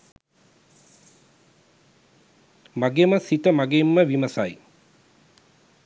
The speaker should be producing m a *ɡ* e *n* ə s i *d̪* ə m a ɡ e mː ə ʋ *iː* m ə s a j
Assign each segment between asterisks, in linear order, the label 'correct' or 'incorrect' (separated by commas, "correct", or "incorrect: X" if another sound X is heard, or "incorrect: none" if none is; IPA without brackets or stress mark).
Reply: correct, incorrect: m, incorrect: t̪, incorrect: i